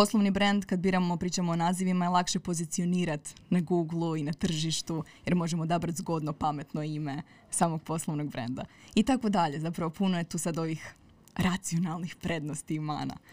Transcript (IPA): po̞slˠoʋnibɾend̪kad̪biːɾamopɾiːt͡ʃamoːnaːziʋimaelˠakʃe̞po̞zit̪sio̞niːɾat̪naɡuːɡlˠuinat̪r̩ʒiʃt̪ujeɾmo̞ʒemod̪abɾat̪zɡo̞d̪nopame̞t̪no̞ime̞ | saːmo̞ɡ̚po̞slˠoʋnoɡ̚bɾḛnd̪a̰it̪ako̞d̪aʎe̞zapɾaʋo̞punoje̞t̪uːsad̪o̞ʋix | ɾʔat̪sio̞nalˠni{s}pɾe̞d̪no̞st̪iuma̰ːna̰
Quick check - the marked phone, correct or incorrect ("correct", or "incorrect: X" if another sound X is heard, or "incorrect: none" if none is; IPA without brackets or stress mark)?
incorrect: x